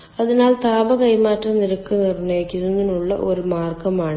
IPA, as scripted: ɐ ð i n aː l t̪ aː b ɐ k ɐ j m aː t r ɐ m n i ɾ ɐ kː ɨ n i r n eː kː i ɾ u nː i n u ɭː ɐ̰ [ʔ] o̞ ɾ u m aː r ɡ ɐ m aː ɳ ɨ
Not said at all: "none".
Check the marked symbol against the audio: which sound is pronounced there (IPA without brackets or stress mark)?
ʔ